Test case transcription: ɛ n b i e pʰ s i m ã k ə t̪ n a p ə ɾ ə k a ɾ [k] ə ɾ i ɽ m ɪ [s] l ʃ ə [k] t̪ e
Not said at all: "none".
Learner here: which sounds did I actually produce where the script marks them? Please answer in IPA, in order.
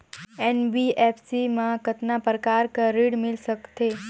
k, none, k

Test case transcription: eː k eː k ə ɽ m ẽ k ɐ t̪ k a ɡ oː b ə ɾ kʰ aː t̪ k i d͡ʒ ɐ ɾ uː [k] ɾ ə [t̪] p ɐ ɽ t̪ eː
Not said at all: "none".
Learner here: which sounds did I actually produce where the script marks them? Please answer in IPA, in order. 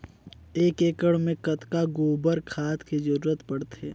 none, t̪

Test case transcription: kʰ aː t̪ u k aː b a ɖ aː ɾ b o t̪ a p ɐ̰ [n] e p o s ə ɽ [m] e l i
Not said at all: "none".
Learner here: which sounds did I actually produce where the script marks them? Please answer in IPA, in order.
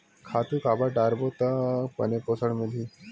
n, m

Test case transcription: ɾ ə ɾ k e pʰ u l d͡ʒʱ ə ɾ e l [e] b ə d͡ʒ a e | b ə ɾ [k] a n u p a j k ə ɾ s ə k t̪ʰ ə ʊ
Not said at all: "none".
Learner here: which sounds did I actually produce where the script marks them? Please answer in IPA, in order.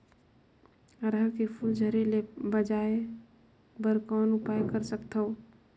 e, k

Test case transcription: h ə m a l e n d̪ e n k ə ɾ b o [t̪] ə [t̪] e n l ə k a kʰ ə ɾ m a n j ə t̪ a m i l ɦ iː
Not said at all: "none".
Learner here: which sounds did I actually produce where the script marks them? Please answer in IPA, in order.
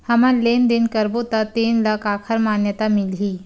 t̪, t̪

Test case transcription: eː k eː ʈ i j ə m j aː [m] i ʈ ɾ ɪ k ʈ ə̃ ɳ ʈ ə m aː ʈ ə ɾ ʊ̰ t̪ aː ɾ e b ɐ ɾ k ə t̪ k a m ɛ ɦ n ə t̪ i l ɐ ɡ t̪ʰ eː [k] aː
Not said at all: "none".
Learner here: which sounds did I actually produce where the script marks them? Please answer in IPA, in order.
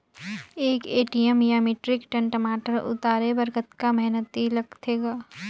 m, ɡ

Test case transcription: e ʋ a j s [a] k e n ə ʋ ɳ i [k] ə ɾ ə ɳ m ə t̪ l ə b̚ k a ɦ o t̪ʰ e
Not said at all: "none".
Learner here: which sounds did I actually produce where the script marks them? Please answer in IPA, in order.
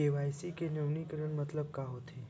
i, k

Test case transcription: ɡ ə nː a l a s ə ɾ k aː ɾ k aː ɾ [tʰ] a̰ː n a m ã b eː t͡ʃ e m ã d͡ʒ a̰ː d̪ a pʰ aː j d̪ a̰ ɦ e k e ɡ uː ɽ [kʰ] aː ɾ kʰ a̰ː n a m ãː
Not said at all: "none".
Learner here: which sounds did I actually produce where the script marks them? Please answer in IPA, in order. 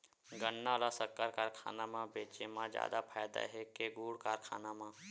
kʰ, k

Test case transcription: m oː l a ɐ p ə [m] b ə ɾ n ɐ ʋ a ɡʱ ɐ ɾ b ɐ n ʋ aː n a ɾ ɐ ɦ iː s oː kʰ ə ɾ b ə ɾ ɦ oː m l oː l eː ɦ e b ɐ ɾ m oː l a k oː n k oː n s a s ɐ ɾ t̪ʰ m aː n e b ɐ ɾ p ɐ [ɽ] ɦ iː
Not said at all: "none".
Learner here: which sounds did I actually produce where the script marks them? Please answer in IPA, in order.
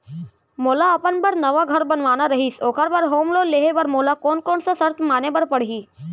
n, ɽ

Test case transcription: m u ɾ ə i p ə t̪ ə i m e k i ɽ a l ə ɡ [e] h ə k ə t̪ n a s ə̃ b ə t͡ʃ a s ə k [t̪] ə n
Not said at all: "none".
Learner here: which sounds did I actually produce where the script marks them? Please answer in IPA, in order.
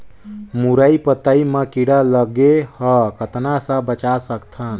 e, t̪ʰ

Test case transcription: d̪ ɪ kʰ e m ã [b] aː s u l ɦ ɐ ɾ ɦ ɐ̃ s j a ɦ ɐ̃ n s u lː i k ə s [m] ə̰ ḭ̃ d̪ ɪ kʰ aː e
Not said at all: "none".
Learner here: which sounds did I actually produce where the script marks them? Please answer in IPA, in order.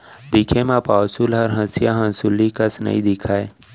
p, n

